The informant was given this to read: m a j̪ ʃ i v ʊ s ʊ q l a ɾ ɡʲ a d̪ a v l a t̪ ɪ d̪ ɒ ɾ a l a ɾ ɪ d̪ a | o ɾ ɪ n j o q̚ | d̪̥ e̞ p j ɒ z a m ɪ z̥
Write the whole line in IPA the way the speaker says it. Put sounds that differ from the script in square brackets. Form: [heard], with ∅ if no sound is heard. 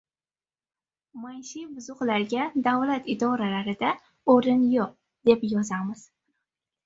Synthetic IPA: m a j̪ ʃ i [b] ʊ [z] ʊ q l a ɾ ɡʲ a d̪ a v l a t̪ ɪ d̪ ɒ ɾ a l a ɾ ɪ d̪ a | o ɾ ɪ n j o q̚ | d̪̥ e̞ p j ɒ z a m ɪ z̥